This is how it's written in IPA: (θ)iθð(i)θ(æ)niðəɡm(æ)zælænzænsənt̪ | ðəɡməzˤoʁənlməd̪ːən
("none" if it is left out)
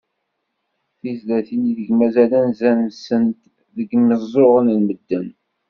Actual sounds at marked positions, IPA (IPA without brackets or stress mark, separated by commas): θ, æ, i, æ